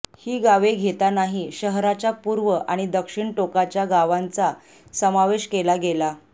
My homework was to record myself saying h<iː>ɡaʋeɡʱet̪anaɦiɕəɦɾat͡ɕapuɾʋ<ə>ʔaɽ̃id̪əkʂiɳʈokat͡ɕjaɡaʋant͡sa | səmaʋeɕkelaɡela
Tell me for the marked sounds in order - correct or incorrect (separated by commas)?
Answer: correct, correct